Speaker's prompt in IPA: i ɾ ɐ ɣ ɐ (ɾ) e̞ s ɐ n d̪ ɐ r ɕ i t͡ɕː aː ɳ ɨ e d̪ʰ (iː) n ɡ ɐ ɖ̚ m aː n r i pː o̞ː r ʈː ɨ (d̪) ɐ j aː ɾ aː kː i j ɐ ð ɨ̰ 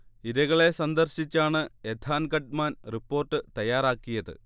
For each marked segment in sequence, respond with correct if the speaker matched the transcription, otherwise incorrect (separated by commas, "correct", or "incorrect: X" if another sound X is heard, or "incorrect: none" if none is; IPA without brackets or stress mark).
incorrect: ɭ, incorrect: aː, incorrect: t̪